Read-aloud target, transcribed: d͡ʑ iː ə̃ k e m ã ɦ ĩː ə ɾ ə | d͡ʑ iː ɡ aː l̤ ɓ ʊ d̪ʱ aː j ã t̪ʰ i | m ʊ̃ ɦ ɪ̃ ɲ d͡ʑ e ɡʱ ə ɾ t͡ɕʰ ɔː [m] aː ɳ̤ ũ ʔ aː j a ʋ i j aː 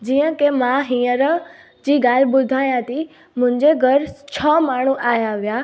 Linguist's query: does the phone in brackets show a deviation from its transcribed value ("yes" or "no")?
no